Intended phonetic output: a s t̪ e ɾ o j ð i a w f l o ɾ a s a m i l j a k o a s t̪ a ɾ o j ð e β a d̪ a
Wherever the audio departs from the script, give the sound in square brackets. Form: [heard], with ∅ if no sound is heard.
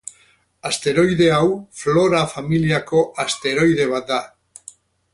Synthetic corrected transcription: a s t̪ e ɾ o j ð [e] a w f l o ɾ a [f] a m i l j a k o a s t̪ [e] ɾ o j ð e β a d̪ a